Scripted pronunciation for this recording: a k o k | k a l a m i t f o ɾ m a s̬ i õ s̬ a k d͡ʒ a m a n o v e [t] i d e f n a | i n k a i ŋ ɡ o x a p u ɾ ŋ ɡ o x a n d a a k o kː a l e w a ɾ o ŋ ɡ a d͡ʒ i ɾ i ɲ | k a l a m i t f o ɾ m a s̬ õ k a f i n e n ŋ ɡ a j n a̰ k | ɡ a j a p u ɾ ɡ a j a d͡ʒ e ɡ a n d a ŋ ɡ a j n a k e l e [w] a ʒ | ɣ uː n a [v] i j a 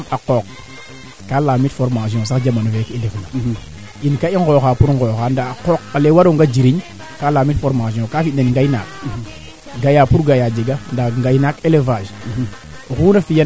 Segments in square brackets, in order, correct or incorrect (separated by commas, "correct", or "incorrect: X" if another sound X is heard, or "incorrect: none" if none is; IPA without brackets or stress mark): incorrect: k, incorrect: v, incorrect: f